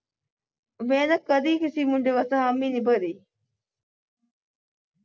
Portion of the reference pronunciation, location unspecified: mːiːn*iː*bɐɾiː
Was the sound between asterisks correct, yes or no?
no